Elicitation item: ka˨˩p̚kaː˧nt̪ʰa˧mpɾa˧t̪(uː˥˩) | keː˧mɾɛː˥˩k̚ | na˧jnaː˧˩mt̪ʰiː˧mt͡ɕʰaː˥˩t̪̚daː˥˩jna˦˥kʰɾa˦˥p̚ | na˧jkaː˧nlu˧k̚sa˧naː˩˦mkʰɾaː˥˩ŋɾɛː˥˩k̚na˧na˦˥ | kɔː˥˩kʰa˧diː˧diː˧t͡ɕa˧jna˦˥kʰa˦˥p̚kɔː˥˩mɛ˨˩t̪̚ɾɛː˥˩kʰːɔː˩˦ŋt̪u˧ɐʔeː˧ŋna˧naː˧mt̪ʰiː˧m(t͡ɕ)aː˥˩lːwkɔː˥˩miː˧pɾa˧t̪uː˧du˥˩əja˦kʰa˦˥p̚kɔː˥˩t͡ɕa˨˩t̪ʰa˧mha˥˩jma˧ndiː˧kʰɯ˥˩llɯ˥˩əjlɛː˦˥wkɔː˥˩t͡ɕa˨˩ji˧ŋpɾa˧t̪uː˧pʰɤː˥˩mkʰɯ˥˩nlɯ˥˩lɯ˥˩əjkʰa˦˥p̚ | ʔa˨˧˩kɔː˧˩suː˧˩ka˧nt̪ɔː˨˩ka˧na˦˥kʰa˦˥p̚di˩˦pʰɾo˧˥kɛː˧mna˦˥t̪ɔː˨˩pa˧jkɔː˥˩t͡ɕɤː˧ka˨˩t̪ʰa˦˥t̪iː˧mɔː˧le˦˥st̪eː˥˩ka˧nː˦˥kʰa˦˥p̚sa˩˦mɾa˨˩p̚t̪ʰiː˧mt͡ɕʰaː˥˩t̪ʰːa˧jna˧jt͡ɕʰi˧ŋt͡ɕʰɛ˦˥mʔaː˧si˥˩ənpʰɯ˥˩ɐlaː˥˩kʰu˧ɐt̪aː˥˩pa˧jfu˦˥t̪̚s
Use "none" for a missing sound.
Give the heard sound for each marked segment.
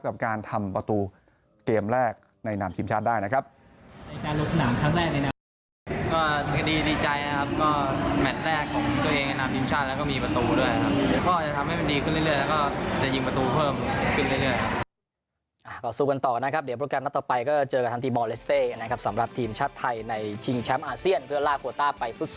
uː˧, t͡ɕʰ

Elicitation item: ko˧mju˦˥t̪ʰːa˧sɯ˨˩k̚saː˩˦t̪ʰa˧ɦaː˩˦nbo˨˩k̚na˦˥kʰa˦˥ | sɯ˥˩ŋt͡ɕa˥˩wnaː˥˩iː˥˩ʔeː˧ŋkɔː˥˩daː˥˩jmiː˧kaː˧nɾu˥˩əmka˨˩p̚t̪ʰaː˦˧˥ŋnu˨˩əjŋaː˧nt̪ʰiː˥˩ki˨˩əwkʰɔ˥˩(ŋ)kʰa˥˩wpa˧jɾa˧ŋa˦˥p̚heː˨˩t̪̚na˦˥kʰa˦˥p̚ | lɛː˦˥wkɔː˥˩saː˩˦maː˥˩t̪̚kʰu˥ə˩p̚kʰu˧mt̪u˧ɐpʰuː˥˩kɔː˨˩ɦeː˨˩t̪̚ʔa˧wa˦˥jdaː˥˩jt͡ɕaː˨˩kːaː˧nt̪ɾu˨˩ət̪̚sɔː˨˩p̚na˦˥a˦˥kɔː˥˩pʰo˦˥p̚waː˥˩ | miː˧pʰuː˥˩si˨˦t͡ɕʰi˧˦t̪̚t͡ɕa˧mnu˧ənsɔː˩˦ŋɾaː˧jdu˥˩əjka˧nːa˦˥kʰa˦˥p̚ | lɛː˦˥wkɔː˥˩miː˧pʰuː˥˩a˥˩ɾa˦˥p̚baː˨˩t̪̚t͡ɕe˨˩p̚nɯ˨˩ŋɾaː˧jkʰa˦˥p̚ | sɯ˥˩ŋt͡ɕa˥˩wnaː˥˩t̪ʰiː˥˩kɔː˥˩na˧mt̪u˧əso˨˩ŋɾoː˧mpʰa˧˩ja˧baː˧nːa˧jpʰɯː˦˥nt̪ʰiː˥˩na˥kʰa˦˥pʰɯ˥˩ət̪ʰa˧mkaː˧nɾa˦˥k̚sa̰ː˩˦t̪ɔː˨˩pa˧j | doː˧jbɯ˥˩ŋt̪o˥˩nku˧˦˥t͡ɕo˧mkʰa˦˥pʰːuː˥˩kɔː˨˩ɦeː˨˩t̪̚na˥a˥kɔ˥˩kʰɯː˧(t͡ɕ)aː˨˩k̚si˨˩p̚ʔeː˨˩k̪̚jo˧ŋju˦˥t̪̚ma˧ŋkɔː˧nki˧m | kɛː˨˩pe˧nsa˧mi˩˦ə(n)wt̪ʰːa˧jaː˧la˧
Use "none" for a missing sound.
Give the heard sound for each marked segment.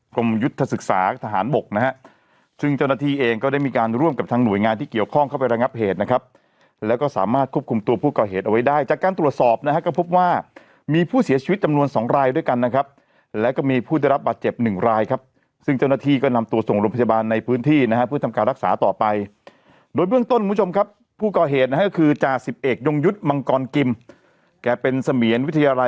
ŋ, t͡ɕ, n

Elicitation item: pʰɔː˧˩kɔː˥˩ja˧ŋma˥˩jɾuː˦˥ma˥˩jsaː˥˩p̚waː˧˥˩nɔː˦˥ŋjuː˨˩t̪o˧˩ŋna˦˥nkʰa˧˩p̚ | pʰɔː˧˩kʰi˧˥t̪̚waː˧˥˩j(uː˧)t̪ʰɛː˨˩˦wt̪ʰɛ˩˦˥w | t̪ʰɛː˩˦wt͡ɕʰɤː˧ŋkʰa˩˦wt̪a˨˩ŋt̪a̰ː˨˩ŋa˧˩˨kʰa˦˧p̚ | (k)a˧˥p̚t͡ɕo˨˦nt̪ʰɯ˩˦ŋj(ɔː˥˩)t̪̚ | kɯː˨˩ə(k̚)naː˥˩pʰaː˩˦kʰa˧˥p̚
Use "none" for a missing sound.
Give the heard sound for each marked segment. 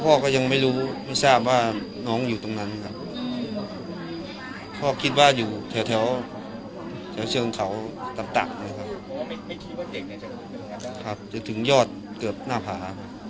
uː˨˩, kʰ, ɔː˥˩, p̚

